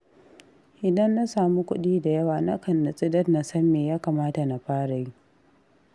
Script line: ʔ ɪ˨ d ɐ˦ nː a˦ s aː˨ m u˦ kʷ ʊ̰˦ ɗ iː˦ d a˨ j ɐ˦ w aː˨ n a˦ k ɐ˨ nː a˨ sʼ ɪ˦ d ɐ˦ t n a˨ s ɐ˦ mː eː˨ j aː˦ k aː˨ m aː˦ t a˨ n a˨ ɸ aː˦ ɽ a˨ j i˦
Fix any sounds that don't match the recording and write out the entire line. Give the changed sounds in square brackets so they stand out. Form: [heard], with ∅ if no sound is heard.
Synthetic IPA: ʔ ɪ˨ d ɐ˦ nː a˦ s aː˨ m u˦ kʷ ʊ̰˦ ɗ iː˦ d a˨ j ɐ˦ w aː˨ n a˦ k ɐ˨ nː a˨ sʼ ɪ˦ d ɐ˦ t n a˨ s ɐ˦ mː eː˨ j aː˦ k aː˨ m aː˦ t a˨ n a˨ ɸ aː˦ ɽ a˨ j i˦

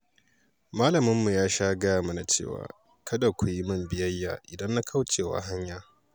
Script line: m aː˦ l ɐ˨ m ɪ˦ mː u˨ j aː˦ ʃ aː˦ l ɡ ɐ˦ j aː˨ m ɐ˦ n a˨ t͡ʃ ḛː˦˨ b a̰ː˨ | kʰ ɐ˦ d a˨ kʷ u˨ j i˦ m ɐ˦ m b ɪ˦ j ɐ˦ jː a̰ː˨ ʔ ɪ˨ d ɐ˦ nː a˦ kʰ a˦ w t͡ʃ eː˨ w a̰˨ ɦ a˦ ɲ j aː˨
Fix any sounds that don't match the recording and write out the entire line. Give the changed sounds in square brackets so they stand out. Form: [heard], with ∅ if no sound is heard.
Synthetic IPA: m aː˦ l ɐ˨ m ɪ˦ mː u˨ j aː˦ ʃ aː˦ [∅] ɡ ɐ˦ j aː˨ m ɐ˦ n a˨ t͡ʃ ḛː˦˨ [w] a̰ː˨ | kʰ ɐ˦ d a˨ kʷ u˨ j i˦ m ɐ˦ m b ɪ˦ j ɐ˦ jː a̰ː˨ ʔ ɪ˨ d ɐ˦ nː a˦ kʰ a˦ w t͡ʃ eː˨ w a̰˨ ɦ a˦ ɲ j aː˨

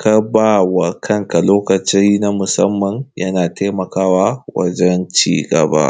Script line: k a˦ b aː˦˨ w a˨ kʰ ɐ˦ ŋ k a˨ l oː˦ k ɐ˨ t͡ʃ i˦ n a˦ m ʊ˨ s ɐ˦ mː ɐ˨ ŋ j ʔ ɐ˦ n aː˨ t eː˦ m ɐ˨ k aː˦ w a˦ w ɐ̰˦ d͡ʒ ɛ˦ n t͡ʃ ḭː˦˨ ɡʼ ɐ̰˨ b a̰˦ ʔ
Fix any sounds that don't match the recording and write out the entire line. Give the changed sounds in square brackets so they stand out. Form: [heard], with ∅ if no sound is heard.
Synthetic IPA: k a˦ b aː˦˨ w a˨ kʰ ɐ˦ ŋ k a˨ l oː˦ k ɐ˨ t͡ʃ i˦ n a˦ m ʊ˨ s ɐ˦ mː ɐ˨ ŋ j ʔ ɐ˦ n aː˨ t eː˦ m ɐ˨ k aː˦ w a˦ w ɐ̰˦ d͡ʒ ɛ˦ n t͡ʃ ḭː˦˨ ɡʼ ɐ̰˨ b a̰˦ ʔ

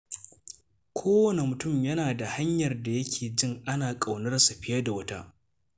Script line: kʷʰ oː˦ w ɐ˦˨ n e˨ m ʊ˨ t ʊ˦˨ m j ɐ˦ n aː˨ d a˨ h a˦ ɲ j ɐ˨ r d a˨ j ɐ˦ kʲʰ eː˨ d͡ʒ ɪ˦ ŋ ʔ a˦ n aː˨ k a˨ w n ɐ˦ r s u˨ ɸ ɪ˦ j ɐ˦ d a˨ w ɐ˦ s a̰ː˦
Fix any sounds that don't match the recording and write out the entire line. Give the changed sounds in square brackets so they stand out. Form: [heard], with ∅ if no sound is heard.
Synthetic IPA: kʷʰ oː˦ w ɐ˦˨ n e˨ m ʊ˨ t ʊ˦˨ m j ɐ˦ n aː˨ d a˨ h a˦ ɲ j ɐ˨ r d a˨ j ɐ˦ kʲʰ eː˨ d͡ʒ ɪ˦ ŋ ʔ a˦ n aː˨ [kʼ] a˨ w n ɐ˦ r s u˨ ɸ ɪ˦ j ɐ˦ d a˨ w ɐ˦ [t] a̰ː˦

